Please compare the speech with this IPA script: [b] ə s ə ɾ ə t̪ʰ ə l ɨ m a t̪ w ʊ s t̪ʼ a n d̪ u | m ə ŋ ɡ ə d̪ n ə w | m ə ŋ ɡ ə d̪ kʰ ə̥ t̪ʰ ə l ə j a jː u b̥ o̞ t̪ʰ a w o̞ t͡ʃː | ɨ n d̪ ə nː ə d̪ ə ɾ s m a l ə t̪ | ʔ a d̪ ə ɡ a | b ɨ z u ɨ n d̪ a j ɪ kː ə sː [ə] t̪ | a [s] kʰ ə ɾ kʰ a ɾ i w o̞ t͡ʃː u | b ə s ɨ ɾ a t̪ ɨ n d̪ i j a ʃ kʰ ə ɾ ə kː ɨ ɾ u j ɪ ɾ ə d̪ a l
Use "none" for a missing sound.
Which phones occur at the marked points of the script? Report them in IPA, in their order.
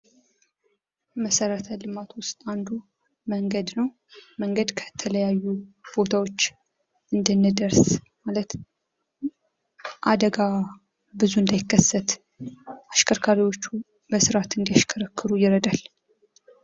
m, ə, ʃ

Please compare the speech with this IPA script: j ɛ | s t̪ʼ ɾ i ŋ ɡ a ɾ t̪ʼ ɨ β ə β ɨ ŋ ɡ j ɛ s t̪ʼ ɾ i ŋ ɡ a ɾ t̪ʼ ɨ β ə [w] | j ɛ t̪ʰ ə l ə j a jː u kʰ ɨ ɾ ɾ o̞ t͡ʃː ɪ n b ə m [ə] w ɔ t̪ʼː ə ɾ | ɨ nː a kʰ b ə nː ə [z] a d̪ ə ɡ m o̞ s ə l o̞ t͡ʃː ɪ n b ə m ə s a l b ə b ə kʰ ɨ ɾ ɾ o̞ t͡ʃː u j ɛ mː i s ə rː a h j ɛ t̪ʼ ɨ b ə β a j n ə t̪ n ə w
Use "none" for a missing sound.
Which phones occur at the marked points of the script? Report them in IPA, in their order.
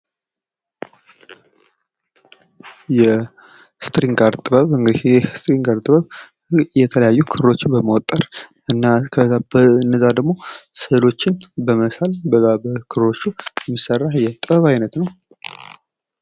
β, ə, z

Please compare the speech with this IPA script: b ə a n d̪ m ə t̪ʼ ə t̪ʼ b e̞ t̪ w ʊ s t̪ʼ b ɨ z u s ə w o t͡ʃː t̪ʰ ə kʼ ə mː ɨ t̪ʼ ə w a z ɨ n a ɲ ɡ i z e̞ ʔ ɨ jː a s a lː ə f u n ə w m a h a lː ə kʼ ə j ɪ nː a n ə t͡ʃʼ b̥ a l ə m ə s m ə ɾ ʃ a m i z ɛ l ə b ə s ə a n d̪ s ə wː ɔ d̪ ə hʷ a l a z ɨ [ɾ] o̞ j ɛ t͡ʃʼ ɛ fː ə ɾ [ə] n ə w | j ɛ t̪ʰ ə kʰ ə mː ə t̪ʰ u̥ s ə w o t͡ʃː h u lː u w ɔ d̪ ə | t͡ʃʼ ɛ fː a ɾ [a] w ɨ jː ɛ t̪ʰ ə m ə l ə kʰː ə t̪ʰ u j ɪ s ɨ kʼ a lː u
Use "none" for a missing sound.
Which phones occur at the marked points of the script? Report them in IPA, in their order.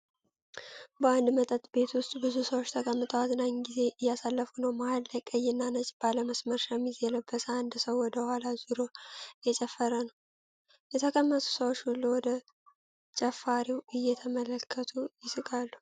ɾ, ə, i

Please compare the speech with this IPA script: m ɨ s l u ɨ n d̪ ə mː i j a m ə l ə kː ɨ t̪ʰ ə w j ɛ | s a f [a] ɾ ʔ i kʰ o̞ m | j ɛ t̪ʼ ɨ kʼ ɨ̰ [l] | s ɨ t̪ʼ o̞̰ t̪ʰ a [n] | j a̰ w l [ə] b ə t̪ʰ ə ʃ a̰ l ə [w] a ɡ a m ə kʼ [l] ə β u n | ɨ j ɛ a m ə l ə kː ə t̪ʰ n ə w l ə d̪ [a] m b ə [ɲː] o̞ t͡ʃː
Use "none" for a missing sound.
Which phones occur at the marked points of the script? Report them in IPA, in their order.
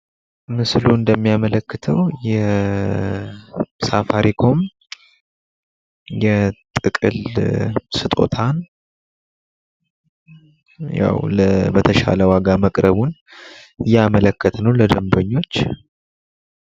a, l, n, ə, w, ɾ, ə, ɲː

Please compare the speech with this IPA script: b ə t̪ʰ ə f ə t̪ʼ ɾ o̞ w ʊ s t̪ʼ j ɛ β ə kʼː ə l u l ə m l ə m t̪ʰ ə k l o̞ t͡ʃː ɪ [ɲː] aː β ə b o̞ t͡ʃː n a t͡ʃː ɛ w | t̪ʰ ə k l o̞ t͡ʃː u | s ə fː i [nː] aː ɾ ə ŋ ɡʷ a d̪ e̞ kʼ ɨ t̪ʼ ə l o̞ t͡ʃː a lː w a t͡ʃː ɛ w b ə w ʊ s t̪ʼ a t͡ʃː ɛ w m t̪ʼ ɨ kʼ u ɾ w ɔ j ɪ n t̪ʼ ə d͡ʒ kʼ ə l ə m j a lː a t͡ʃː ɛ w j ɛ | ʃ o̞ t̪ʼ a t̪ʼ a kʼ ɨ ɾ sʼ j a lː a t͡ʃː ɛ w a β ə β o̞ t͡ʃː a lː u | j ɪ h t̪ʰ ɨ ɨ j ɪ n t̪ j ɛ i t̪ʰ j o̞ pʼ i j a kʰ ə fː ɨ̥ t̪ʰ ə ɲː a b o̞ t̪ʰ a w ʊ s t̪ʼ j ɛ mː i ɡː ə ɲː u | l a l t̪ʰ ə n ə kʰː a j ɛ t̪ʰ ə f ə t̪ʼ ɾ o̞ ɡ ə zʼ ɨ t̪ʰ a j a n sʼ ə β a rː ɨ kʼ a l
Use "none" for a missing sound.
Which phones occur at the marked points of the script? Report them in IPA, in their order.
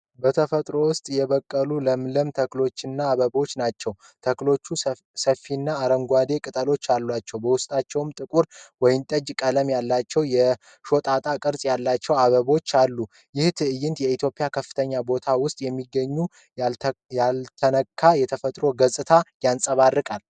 nː, nː

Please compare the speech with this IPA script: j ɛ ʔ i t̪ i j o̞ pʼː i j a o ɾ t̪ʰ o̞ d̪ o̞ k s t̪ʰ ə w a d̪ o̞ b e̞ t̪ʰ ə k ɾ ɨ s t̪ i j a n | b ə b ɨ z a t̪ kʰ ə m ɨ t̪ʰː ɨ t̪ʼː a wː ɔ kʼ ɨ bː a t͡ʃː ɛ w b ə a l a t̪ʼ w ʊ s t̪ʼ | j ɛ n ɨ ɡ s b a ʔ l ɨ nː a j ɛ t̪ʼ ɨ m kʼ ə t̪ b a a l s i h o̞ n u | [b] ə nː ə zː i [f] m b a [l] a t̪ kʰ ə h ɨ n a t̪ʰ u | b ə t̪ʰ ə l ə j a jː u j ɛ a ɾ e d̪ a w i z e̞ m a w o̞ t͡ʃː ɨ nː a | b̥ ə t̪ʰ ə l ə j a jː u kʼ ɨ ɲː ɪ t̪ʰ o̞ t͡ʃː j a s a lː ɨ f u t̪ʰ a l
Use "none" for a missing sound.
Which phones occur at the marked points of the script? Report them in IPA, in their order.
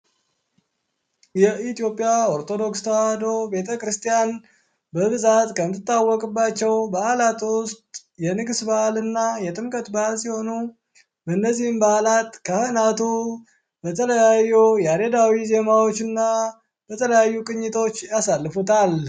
b, h, l

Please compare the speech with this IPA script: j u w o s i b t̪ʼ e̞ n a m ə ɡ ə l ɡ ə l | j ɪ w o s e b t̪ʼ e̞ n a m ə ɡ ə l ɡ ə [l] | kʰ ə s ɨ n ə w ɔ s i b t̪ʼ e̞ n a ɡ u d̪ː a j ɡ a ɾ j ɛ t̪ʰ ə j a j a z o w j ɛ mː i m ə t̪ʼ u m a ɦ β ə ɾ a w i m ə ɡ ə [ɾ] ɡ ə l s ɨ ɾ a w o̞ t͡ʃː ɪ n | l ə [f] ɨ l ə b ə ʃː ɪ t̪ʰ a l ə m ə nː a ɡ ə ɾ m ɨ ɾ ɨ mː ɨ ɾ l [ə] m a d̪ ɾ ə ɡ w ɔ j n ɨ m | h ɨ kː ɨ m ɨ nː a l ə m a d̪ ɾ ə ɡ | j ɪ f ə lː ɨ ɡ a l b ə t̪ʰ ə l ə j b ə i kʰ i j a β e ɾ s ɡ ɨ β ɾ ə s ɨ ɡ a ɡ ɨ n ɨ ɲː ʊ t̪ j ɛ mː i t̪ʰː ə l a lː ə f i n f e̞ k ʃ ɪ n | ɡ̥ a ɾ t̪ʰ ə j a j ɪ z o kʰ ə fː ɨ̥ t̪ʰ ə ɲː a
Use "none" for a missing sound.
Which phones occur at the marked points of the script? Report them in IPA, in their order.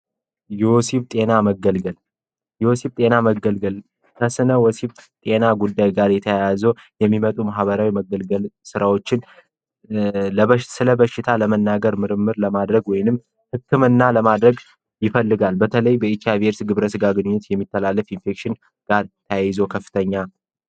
l, l, s, ə

